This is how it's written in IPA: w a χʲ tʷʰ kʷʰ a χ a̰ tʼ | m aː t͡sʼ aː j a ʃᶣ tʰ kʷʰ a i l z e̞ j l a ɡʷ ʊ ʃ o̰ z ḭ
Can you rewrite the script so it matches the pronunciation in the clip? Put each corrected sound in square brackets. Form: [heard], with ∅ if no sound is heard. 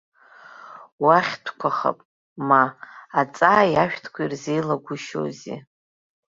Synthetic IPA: w a χʲ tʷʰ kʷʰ a χ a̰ [pʼ] | m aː t͡sʼ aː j a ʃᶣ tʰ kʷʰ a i [r] z e̞ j l a ɡʷ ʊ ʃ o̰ z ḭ